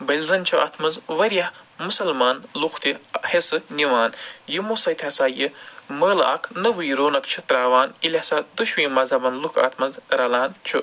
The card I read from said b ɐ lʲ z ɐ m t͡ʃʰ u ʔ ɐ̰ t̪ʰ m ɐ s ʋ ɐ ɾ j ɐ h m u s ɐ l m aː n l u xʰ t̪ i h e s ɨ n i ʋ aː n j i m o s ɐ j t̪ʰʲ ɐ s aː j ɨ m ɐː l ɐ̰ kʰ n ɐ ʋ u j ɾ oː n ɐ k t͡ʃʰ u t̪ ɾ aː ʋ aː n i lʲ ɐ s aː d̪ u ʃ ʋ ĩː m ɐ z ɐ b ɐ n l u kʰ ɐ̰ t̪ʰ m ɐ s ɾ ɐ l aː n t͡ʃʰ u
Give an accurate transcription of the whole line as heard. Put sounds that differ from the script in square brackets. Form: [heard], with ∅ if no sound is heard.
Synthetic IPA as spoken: b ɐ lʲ z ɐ [n] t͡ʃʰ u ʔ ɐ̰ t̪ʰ m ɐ [z] ʋ ɐ ɾ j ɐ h m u s ɐ l m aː n l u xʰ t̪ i h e s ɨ n i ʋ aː n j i m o s ɐ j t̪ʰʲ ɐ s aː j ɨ m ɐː l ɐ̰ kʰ n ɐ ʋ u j ɾ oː n ɐ k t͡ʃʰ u t̪ ɾ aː ʋ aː n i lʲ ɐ s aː d̪ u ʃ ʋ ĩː m ɐ z ɐ b ɐ n l u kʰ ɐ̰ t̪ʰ m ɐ [z] ɾ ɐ l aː n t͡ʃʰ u